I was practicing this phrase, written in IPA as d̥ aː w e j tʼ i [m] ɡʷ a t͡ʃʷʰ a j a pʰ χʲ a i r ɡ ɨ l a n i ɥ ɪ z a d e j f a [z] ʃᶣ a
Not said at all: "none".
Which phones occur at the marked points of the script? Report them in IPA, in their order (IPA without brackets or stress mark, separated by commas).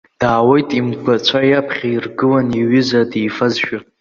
m, z